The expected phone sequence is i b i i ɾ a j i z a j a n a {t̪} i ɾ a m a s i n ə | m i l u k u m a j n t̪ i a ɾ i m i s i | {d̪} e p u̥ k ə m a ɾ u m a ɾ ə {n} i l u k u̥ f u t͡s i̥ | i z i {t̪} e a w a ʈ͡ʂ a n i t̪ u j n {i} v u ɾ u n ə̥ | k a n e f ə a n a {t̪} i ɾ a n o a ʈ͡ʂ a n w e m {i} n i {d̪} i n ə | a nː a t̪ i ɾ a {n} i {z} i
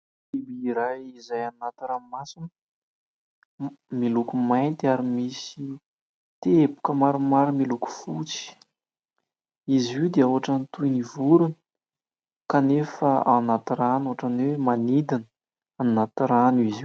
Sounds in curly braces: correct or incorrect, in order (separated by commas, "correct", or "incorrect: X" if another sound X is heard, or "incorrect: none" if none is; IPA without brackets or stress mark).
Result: correct, incorrect: t̪, incorrect: m, incorrect: d̪, correct, correct, incorrect: a, correct, correct, correct